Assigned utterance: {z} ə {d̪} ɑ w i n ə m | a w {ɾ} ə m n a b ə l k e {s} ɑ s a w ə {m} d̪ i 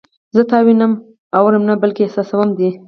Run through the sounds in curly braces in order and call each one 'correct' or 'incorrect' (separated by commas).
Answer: correct, incorrect, correct, correct, correct